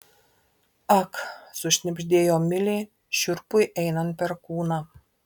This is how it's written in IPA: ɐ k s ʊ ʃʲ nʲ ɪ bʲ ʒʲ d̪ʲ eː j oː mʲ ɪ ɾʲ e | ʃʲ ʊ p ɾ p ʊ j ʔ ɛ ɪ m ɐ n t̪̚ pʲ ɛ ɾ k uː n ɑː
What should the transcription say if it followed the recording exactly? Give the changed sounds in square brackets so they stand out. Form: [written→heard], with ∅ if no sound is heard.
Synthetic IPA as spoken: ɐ k s ʊ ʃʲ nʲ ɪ bʲ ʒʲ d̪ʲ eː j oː mʲ ɪ [ɾʲ→lʲ] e | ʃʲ ʊ [p→∅] ɾ p ʊ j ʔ ɛ ɪ [m→n] ɐ n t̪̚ pʲ ɛ ɾ k uː n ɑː